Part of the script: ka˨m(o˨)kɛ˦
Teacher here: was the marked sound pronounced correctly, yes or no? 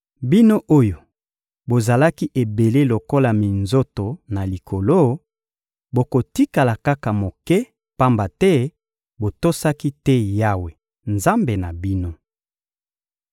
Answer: yes